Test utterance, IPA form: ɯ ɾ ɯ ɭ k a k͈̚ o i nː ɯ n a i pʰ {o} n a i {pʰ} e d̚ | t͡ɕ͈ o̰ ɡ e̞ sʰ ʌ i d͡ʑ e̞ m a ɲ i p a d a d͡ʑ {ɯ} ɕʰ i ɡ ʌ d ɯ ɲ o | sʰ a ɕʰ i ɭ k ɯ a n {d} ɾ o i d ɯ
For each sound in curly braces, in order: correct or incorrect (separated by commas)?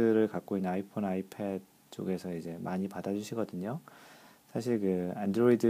correct, correct, incorrect, correct